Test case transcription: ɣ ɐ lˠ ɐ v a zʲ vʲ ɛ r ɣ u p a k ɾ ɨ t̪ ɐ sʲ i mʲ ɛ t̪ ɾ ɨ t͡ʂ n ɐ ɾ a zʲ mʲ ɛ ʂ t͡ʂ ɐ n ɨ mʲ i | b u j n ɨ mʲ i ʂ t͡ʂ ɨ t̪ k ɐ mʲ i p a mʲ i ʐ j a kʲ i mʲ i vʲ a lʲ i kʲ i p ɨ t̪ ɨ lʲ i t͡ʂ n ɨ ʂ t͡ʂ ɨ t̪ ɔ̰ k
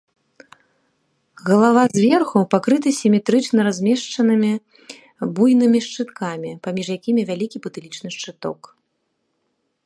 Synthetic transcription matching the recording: ɣ ɐ lˠ a v a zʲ vʲ ɛ r x u p a k ɾ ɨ t̪ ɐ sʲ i mʲ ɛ t̪ ɾ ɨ t͡ʂ n ɐ ɾ a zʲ mʲ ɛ ʂ t͡ʂ ɐ n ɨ mʲ i | b u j n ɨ mʲ i ʂ t͡ʂ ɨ t̪ k a mʲ i p a mʲ i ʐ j a kʲ i mʲ i vʲ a lʲ i kʲ i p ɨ t̪ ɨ lʲ i t͡ʂ n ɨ ʂ t͡ʂ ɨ t̪ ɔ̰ k

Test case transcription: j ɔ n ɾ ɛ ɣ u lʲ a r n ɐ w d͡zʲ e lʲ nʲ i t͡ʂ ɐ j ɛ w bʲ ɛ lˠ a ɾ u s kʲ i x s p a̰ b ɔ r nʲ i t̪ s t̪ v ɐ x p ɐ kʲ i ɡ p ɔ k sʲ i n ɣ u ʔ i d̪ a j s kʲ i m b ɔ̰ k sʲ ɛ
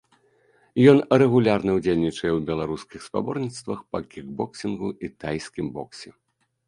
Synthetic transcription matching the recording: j ɔ n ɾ ɛ ɣ u lʲ a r n ɐ w d͡zʲ e lʲ nʲ i t͡ʂ ɐ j ɛ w bʲ ɛ lˠ a ɾ u s kʲ i x s p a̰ b ɔ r nʲ i t̪ s t̪ v ɐ x p ɐ kʲ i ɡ b ɔ k sʲ i n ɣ u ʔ i t̪ a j s kʲ i m b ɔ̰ k sʲ ɛ

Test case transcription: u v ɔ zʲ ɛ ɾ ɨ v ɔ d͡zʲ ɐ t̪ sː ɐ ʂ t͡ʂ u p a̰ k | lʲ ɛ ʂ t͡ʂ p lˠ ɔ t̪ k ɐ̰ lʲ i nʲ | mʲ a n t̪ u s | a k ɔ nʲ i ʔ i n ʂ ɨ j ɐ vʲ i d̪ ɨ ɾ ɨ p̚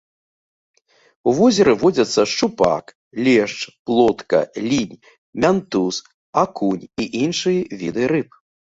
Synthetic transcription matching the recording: u v ɔ zʲ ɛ ɾ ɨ v ɔ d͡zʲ ɐ t̪ sː ɐ ʂ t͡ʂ u p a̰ k | lʲ ɛ ʂ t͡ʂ p lˠ ɔ t̪ k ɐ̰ lʲ i nʲ | mʲ a n t̪ u s | a k u nʲ i ʔ i n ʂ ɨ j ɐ vʲ i d̪ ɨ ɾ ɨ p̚

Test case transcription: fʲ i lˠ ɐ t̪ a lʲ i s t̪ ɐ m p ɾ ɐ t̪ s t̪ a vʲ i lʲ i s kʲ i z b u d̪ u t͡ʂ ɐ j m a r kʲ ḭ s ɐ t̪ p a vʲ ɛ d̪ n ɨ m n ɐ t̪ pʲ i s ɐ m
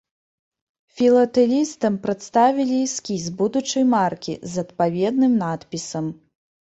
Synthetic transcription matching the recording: fʲ i lˠ ɐ t̪ ɛ lʲ i s t̪ ɐ m p ɾ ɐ t̪ s t̪ a vʲ i lʲ i s kʲ i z b u d̪ u t͡ʂ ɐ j m a r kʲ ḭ z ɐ t̪ p a vʲ ɛ d̪ n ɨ m n a t̪ pʲ i s ɐ m

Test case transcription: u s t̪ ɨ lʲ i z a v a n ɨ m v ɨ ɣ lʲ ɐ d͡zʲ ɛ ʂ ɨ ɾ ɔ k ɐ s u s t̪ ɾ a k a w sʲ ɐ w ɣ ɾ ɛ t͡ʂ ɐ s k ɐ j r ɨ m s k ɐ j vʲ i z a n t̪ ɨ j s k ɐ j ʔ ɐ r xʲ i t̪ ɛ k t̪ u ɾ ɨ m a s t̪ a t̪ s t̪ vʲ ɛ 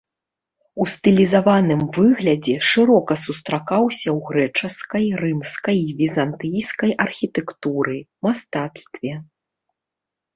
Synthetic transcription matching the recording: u s t̪ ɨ lʲ i z a v a n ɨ m v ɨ ɣ lʲ ɐ d͡zʲ ɛ ʂ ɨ ɾ ɔ k ɐ s u s t̪ ɾ a k a w sʲ ɐ w ɣ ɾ ɛ t͡ʂ ɐ s k ɐ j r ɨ m s k ɐ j vʲ i z a n t̪ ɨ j s k ɐ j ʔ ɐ r xʲ i t̪ ɛ k t̪ u ɾ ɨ m a s t̪ a t̪ s t̪ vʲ ɛ

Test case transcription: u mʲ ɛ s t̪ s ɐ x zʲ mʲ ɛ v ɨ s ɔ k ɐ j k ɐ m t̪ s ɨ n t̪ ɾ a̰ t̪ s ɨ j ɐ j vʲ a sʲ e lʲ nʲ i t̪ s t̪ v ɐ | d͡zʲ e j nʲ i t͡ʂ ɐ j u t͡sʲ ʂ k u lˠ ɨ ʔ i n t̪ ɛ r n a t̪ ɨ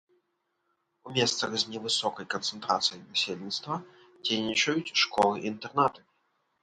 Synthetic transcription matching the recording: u mʲ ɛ s t̪ s ɐ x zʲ nʲ ɛ v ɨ s ɔ k ɐ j k ɐ n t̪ s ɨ n t̪ ɾ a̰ t̪ s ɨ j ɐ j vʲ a sʲ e lʲ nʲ i t̪ s t̪ v ɐ | d͡zʲ e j nʲ i t͡ʂ ɐ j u t͡sʲ ʂ k ɔ lˠ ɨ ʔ i n t̪ ɛ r n a t̪ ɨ

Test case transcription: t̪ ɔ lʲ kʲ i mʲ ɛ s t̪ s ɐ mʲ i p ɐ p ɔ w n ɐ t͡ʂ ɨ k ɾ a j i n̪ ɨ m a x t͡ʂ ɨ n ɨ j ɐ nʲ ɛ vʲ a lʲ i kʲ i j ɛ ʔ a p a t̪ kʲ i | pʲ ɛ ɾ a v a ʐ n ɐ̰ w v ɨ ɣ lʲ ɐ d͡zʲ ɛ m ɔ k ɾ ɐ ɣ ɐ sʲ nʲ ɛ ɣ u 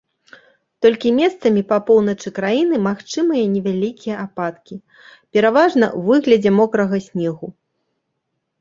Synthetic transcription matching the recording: t̪ ɔ lʲ kʲ i mʲ ɛ s t̪ s ɐ mʲ i p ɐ p ɔ w n ɐ t͡ʂ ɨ k ɾ a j i n̪ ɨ m a x t͡ʂ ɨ m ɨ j ɐ nʲ ɛ vʲ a lʲ i kʲ i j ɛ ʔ a p a t̪ kʲ i | pʲ ɛ ɾ a v a ʐ n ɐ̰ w v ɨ ɣ lʲ ɐ d͡zʲ ɛ m ɔ k ɾ ɐ ɣ ɐ sʲ nʲ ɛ ɣ u

